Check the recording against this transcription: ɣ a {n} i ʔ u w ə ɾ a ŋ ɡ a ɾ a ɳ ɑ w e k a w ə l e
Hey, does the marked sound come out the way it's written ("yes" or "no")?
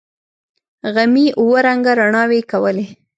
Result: no